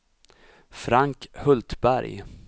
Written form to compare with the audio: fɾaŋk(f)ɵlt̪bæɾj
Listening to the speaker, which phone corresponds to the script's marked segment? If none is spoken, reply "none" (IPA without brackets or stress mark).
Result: h